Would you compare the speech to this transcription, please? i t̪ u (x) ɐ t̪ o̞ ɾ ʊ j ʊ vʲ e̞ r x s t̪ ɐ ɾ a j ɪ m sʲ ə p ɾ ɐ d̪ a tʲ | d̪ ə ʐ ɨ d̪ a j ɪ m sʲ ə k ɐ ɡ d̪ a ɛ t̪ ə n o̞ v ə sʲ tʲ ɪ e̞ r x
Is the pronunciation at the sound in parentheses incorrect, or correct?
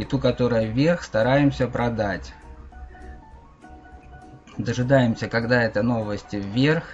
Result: incorrect